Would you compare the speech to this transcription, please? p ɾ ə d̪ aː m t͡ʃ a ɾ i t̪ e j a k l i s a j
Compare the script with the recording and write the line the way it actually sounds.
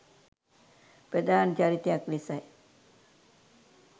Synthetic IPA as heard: p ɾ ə d̪ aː n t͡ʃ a ɾ i t̪ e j a k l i s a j